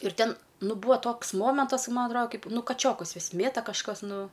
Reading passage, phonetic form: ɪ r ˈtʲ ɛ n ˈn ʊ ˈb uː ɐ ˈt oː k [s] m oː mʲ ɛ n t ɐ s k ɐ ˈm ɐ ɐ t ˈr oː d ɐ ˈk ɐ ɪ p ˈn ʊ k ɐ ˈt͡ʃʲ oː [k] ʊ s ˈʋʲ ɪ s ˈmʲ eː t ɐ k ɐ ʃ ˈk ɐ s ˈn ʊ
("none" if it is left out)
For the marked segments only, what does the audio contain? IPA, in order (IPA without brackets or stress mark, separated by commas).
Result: s, k